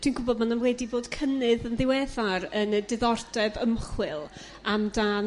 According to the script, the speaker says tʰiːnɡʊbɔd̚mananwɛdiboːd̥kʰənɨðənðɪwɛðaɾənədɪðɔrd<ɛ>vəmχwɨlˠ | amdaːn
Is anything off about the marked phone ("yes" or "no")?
no